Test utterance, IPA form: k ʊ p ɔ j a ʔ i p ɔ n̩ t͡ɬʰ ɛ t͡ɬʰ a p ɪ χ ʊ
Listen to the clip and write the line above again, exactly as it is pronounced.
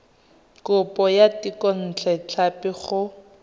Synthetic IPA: k ʊ p ɔ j a t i k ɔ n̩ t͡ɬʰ ɛ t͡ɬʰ a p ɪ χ ʊ